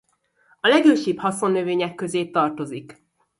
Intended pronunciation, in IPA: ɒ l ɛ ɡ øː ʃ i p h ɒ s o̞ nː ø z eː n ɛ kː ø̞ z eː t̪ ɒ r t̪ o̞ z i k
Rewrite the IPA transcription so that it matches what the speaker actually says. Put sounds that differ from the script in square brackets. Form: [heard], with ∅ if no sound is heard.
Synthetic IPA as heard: ɒ l ɛ ɡ øː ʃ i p h ɒ s o̞ nː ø [v] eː [ɲ] ɛ kː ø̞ z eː t̪ ɒ r t̪ o̞ z i k